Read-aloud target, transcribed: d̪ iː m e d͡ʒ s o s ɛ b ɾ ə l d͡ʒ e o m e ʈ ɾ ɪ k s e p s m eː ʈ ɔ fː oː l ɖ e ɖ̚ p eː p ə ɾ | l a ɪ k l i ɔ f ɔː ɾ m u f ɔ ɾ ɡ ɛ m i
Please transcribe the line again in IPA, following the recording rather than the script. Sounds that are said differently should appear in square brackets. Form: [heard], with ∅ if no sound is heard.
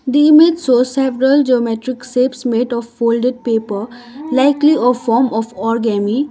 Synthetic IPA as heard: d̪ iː m e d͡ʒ s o s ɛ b ɾ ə l d͡ʒ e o m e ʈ ɾ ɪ k s e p s m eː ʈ ɔ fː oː l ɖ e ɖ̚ p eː p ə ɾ | l a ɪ k l i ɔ f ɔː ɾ m [ɔ] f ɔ ɾ ɡ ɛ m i